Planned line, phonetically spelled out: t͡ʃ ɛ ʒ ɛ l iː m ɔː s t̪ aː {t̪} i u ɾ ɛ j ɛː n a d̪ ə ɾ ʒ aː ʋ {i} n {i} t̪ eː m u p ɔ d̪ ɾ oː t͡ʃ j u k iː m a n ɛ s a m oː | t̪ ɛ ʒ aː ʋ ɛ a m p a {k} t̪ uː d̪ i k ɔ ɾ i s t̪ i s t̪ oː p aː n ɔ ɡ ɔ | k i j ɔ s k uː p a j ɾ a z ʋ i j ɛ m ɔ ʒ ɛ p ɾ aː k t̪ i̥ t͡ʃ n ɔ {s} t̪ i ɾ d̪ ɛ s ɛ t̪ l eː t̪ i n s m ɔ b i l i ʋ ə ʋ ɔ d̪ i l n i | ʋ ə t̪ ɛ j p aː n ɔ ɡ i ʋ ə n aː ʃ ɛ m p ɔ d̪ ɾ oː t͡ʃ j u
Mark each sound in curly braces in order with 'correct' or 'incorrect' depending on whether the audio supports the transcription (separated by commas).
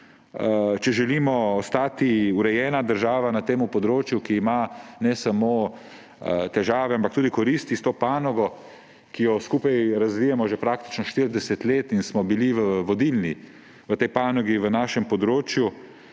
correct, incorrect, incorrect, correct, incorrect